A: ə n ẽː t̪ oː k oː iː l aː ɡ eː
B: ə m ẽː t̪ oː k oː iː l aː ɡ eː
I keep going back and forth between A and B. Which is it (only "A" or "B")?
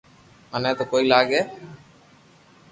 A